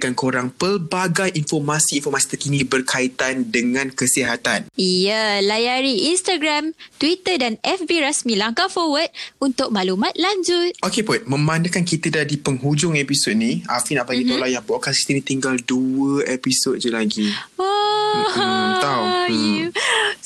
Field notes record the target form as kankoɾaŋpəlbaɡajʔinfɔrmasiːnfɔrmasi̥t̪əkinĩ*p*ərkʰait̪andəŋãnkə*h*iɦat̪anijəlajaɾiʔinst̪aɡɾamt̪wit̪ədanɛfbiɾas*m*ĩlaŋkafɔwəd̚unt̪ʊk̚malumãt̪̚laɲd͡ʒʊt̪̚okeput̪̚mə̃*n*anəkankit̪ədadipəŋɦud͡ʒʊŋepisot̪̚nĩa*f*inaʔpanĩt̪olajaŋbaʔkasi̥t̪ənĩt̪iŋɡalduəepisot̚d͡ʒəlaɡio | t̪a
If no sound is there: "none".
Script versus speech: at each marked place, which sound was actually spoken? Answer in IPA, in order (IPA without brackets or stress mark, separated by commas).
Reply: b, s, m, m, f